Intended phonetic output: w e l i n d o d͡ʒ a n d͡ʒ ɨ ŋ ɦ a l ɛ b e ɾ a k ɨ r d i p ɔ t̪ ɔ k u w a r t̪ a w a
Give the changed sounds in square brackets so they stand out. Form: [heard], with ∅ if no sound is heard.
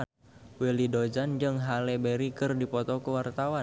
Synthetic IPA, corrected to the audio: w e l i [∅] d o d͡ʒ a n d͡ʒ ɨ ŋ ɦ a l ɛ b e ɾ [i] k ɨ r d i p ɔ t̪ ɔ k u w a r t̪ a w a